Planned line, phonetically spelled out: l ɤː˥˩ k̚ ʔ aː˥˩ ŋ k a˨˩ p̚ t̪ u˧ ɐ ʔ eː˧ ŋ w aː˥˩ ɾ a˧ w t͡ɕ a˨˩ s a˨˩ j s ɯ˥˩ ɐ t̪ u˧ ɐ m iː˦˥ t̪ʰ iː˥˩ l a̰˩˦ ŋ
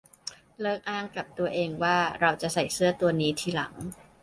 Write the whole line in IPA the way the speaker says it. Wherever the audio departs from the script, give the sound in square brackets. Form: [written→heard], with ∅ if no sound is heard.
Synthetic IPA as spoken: l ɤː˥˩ k̚ ʔ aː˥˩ ŋ k a˨˩ p̚ t̪ u˧ ɐ ʔ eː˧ ŋ w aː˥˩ ɾ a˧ w t͡ɕ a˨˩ s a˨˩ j s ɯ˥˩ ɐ t̪ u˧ ɐ [m→n] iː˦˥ t̪ʰ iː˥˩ l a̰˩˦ ŋ